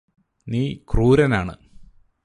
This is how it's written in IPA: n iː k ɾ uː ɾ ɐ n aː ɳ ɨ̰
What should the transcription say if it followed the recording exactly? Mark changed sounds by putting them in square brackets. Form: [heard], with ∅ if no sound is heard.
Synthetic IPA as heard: n iː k [r] uː ɾ ɐ n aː ɳ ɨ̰